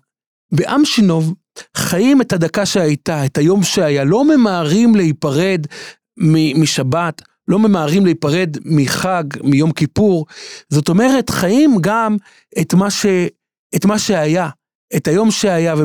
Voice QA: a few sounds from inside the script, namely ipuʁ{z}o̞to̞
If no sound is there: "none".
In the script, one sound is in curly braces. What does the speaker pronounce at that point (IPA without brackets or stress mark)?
z